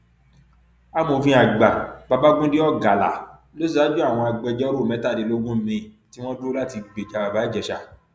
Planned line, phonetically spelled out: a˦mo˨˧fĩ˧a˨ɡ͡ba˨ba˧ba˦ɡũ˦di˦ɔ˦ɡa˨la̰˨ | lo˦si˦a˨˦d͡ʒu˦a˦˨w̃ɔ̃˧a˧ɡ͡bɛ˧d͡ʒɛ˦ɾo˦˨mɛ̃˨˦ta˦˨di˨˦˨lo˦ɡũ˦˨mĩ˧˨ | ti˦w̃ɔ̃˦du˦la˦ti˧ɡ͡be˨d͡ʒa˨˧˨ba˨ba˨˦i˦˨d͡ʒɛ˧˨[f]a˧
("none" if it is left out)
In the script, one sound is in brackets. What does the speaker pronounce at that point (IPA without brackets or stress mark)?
ʃ